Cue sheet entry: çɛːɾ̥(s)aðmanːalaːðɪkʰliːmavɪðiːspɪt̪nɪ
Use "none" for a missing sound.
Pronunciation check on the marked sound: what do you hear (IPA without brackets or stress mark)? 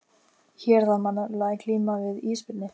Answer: θ